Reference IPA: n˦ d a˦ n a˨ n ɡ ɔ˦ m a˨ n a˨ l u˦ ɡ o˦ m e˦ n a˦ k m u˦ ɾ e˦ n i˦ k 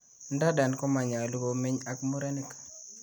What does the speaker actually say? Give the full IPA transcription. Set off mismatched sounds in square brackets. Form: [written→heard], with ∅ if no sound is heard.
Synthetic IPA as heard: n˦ d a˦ [n→d] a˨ n [ɡ→k] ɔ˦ m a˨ [n→ɲ] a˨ l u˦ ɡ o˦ m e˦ [n→ɲ] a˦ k m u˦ ɾ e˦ n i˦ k

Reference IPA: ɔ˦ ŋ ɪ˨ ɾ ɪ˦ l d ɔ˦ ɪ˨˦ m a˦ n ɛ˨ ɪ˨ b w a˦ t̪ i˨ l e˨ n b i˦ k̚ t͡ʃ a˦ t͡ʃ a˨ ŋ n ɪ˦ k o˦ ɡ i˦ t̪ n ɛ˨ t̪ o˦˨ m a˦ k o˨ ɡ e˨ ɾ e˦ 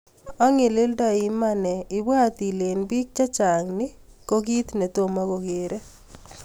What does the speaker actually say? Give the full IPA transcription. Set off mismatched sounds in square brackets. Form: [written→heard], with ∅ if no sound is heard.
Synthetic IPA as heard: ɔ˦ ŋ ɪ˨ [ɾ→l] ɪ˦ l d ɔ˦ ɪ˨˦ m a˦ n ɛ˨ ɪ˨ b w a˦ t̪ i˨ l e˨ n b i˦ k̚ t͡ʃ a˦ t͡ʃ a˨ ŋ n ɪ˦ k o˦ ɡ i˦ t̪ n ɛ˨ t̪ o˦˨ m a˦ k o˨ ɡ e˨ ɾ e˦

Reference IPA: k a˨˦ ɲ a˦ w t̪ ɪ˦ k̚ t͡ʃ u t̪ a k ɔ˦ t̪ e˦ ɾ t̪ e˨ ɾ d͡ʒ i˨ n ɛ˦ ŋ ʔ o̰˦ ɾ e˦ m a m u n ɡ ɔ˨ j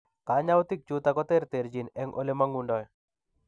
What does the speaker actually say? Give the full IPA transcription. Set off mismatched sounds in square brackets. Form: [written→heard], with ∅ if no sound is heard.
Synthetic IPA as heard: k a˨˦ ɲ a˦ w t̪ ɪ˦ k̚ t͡ʃ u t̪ a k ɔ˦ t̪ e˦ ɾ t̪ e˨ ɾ d͡ʒ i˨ n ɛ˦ ŋ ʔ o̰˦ [ɾ→l] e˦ m a [m→ŋ] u n [ɡ→d] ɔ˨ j

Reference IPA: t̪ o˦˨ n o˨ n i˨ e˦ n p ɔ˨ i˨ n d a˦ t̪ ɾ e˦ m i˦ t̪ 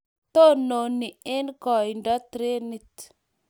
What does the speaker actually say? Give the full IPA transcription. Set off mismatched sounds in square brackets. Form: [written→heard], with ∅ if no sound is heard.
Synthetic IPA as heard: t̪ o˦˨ n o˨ n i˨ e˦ n [p→k] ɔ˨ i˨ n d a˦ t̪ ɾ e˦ [m→n] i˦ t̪

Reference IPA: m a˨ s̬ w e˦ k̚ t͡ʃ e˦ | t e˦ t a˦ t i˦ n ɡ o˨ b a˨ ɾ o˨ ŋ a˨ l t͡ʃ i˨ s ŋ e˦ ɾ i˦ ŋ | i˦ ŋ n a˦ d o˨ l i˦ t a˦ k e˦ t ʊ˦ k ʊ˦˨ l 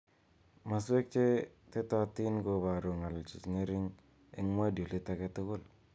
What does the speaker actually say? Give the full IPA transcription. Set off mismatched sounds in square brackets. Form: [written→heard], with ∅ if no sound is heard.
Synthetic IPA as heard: m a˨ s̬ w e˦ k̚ t͡ʃ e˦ | t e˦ t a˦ t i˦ n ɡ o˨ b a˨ ɾ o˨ ŋ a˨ l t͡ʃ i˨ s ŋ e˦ ɾ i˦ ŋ | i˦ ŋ [n→m] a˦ d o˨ l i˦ t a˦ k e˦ t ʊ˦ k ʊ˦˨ l

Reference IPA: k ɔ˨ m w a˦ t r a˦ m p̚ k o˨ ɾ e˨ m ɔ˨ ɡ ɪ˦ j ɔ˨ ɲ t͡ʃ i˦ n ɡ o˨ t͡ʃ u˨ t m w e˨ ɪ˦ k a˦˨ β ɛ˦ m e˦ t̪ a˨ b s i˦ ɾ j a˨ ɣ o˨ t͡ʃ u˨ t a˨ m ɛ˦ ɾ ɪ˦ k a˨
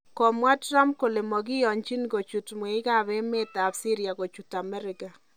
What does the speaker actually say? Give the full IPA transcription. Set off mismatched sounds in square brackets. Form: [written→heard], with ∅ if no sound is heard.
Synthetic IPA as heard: k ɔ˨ m w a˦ t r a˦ m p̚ k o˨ [ɾ→l] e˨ m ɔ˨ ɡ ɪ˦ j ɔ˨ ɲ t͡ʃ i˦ n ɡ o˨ t͡ʃ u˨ t m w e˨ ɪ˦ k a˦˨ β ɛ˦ m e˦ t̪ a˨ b s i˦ ɾ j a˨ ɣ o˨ t͡ʃ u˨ t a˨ m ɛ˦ ɾ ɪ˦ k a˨

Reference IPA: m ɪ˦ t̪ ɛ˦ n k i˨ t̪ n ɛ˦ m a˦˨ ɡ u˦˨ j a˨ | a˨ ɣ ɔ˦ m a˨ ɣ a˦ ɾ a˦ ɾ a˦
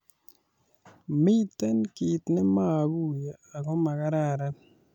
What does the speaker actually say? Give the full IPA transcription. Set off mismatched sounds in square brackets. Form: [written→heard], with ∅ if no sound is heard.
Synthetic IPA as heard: m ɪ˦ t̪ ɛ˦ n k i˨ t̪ n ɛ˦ m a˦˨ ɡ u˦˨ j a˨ | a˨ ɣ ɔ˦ m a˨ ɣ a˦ ɾ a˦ ɾ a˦

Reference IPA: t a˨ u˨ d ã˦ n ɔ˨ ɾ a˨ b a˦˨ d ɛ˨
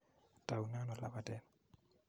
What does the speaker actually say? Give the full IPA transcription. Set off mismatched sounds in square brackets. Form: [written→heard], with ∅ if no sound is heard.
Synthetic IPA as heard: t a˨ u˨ [d→n] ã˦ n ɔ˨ [ɾ→l] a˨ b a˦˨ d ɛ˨

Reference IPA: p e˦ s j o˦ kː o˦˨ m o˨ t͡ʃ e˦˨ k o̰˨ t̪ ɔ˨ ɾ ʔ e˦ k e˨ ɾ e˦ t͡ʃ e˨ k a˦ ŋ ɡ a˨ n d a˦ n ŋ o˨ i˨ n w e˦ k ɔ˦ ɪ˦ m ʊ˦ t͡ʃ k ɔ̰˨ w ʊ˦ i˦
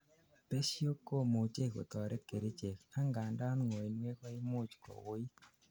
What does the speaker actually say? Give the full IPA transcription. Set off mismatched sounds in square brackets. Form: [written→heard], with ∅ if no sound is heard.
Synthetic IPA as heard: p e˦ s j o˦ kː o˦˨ m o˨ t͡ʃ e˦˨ k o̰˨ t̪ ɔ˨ ɾ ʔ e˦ k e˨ ɾ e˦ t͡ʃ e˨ k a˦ ŋ ɡ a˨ n d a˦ n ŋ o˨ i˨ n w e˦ k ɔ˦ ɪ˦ m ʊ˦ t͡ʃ k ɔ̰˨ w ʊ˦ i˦

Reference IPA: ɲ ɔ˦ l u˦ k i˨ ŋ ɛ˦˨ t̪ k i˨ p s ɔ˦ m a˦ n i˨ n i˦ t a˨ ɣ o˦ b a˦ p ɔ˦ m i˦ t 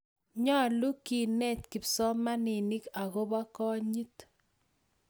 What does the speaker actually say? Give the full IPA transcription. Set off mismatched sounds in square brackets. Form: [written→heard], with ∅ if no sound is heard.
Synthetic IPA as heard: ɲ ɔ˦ l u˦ k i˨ [ŋ→n] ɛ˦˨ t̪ k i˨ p s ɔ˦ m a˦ n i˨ n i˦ [t→k] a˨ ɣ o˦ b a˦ [p→k] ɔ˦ [m→ɲ] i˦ t

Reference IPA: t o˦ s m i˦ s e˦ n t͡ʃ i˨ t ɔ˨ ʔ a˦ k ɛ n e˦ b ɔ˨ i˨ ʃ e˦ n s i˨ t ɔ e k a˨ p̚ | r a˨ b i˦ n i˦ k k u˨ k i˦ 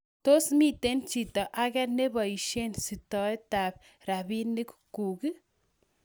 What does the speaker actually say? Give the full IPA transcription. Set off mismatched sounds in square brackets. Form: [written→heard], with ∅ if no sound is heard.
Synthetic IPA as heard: t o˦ s m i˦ [s→t] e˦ n t͡ʃ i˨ t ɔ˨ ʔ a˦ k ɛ n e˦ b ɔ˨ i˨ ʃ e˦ n s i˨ t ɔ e [k→t] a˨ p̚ | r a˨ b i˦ n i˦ k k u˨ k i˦

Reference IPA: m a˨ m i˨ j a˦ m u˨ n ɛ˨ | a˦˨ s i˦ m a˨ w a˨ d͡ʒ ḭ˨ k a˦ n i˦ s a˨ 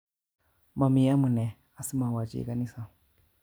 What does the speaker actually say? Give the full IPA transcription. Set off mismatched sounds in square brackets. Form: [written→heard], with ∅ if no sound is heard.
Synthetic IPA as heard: m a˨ m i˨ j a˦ m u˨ n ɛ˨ | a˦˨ s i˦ m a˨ w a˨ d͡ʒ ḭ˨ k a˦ n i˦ s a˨

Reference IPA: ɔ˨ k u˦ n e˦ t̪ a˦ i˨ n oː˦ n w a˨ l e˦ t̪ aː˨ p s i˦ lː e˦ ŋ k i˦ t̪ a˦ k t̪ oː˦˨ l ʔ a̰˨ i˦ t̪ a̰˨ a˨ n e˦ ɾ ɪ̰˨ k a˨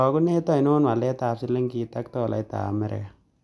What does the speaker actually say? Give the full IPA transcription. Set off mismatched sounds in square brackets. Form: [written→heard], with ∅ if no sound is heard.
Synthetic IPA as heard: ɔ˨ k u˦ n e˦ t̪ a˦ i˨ n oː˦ n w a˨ l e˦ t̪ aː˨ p s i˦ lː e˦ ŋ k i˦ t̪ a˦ k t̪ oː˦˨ l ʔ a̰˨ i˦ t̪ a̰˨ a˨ [n→m] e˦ ɾ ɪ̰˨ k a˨

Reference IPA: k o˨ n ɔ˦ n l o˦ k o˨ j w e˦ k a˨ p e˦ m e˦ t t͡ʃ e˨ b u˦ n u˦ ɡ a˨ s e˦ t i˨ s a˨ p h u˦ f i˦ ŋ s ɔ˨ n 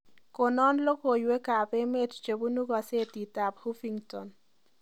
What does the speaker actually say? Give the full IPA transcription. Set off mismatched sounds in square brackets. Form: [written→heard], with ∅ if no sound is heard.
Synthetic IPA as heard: k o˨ n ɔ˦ n l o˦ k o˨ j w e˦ k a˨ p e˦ m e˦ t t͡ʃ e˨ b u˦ n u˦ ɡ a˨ s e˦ t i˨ [s→t] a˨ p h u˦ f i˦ ŋ [s→t] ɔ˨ n

